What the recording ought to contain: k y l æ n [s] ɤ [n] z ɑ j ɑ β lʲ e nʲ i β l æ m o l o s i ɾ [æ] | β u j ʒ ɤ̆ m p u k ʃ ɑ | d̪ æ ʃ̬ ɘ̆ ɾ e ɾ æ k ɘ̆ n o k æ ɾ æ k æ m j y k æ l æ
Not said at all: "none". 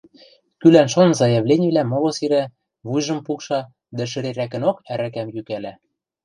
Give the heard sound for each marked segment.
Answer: ʃ, n, æ

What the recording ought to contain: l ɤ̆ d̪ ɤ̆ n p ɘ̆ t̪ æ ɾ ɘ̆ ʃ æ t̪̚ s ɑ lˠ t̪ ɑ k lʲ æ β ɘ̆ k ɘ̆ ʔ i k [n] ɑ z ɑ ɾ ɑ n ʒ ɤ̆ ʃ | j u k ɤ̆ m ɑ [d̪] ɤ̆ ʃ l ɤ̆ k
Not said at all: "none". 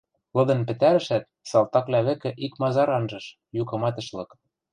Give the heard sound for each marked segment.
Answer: m, t̪

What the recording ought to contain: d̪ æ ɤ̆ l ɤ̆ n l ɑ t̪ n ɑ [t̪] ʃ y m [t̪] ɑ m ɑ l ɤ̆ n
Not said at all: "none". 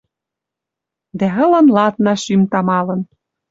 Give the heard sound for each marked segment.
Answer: none, t̪

